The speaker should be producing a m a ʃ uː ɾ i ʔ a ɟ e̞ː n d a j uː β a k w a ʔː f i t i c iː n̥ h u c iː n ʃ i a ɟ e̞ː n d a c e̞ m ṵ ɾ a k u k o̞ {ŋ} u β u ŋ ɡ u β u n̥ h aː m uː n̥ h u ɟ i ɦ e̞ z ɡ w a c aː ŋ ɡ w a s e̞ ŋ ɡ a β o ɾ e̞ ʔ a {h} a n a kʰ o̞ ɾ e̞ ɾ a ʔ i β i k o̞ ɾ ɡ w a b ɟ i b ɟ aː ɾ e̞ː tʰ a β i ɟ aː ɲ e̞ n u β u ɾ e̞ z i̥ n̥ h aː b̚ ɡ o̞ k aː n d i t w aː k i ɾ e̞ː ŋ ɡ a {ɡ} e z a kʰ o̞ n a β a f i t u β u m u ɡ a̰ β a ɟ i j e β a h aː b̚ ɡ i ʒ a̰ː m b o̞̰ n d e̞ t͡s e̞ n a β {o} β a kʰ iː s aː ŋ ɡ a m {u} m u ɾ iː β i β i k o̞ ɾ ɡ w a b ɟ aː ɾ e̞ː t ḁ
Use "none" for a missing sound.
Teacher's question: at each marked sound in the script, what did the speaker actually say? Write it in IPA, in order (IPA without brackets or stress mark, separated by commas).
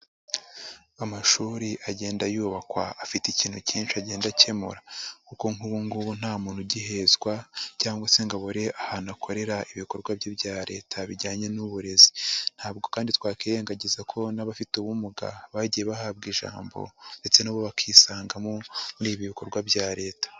ŋ, h, ɟ, o, o